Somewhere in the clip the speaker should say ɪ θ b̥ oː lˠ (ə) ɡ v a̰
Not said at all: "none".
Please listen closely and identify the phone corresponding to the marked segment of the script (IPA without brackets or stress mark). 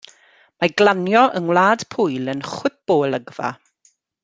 ə